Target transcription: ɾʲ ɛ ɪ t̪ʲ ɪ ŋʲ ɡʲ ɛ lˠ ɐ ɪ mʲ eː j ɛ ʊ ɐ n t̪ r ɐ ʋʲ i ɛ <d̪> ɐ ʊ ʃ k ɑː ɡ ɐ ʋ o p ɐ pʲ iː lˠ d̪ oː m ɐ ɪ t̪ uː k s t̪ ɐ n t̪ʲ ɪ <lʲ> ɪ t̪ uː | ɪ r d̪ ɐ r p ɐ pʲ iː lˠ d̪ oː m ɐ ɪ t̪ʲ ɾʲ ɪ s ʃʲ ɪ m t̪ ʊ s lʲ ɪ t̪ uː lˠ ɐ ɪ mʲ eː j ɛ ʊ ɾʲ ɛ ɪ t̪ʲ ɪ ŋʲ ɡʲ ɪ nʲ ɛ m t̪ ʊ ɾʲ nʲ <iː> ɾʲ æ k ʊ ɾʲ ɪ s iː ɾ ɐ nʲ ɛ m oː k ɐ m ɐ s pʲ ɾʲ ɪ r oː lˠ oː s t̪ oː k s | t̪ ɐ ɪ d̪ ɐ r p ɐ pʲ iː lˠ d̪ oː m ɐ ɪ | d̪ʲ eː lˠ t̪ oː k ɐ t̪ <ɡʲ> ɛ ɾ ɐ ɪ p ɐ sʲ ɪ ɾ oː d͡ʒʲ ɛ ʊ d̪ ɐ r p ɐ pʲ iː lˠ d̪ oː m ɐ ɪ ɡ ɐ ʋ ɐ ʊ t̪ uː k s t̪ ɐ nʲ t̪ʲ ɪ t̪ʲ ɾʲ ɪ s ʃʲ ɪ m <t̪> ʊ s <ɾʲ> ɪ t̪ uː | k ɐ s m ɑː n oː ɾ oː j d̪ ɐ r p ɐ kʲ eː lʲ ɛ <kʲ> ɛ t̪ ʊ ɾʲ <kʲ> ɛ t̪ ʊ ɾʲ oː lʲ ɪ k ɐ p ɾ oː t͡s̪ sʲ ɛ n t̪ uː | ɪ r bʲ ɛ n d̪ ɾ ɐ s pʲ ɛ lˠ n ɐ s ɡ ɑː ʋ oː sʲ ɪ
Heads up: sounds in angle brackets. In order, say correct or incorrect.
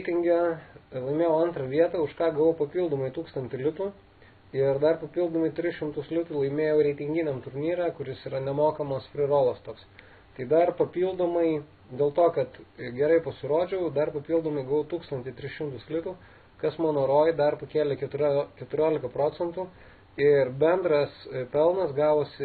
incorrect: t̪, correct, correct, correct, correct, incorrect: lʲ, correct, correct

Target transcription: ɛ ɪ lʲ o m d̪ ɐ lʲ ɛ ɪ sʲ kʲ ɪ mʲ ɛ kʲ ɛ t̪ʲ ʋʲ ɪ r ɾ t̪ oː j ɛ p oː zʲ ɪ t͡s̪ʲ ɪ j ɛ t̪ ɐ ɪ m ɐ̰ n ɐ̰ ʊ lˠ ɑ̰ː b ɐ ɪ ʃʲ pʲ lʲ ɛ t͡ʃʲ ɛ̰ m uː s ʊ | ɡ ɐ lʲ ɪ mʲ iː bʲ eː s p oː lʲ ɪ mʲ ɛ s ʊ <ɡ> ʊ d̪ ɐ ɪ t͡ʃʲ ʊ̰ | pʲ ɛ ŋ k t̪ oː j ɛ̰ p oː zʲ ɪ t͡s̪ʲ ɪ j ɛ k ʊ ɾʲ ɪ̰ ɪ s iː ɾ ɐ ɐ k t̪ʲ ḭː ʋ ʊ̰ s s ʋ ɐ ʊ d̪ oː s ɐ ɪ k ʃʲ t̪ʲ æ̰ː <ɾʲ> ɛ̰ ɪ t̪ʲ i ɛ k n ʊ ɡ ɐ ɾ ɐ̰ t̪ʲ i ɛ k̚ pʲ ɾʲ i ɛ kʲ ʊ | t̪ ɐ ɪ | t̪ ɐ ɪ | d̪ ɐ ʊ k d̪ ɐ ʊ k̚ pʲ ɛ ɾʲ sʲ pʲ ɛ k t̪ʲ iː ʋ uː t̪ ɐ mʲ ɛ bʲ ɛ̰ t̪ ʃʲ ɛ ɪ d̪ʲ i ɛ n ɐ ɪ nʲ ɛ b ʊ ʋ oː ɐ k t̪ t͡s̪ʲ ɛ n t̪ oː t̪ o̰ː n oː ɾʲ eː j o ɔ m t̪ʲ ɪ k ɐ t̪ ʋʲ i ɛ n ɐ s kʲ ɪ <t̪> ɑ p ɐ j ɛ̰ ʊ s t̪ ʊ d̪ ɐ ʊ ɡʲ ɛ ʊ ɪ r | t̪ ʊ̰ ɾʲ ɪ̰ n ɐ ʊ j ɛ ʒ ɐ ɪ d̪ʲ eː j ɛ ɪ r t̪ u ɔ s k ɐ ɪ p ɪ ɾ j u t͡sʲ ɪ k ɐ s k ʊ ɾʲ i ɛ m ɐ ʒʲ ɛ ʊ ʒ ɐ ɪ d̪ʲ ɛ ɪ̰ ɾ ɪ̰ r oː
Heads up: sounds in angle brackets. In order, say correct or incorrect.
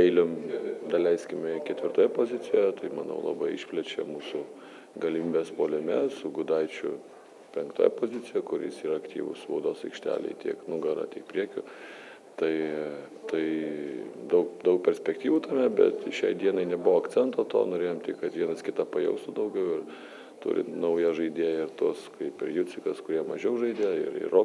correct, incorrect: lʲ, correct

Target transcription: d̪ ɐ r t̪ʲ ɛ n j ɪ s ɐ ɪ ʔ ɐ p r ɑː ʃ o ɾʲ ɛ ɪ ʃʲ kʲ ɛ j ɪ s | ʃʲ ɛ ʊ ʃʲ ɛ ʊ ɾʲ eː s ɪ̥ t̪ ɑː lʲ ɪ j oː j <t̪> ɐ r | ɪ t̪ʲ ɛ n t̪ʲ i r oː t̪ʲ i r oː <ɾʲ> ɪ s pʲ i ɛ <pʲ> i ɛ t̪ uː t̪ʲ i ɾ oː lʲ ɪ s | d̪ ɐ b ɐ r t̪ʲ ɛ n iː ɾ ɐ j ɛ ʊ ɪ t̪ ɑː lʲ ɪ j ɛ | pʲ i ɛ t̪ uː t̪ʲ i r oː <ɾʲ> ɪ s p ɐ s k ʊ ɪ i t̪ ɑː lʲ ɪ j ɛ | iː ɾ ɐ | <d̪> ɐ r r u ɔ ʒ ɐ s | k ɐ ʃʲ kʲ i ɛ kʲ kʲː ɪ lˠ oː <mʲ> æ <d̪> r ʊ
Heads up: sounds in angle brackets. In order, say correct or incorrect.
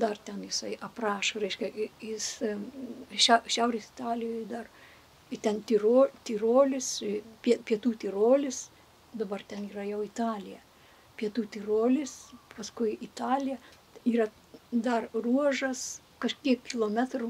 incorrect: d̪, incorrect: lʲ, correct, incorrect: lʲ, correct, correct, incorrect: t̪

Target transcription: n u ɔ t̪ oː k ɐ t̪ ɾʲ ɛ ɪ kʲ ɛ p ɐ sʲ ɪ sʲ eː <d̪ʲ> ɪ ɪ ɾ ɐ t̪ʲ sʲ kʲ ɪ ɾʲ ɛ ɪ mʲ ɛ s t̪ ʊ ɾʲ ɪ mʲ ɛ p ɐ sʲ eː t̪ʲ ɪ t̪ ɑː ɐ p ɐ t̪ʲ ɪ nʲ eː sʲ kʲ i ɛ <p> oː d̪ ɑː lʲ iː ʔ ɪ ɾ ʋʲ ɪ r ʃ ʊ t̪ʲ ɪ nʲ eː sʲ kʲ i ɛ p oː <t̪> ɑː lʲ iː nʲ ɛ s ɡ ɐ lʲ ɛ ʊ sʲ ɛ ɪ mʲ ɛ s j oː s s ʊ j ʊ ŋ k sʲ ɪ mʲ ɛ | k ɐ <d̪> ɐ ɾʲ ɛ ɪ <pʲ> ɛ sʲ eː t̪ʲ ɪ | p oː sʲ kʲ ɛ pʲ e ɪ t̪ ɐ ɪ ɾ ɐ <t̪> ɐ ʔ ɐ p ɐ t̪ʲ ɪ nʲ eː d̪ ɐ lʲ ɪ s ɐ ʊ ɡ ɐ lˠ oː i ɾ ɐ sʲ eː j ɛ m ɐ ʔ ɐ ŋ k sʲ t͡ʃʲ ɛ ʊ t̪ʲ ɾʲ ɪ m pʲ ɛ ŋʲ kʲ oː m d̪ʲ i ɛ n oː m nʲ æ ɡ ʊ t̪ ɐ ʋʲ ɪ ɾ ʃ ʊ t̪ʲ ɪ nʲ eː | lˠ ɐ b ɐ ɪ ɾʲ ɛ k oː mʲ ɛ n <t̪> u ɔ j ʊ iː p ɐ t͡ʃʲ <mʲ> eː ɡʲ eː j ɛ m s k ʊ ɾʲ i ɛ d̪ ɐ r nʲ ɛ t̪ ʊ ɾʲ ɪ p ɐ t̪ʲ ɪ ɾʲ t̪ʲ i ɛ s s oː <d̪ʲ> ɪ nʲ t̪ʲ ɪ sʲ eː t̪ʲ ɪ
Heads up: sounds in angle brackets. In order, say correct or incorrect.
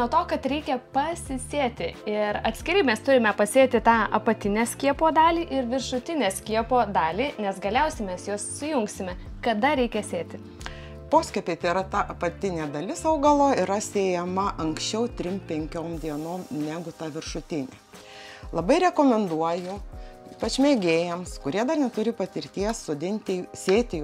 incorrect: t̪ʲ, correct, incorrect: d̪, correct, incorrect: kʲ, correct, incorrect: d̪, correct, correct

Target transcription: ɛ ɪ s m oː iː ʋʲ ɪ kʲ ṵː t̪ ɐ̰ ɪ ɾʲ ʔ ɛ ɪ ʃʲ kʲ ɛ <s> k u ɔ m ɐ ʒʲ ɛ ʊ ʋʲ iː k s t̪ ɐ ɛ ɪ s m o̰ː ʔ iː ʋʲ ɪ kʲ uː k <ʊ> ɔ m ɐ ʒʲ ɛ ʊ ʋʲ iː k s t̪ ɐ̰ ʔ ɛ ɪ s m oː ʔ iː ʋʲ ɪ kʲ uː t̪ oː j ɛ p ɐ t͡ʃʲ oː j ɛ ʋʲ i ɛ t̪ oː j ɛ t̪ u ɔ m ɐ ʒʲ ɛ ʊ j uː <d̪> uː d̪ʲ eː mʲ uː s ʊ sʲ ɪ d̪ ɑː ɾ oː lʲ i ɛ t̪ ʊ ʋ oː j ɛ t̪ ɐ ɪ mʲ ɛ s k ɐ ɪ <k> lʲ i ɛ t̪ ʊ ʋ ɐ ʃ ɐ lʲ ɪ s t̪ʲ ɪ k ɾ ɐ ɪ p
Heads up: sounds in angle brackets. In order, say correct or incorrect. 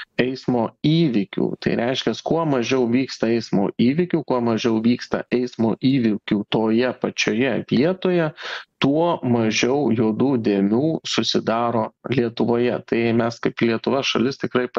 correct, incorrect: u, correct, incorrect: p

